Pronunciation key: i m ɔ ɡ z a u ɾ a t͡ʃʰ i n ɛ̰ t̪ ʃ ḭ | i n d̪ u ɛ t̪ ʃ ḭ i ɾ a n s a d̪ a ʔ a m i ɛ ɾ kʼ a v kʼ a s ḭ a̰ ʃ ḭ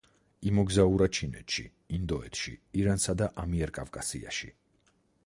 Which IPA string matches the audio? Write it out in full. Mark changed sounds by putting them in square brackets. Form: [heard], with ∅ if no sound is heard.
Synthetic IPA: i m ɔ ɡ z a u ɾ a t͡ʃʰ i n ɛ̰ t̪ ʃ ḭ | i n d̪ [ɔ] ɛ t̪ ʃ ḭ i ɾ a n s a d̪ a ʔ a m i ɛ ɾ kʼ a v kʼ a s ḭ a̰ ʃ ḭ